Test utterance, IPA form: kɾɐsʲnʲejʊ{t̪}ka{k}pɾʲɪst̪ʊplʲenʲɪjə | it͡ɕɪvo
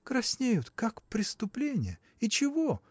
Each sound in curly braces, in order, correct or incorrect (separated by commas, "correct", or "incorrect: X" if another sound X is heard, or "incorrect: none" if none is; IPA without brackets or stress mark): correct, correct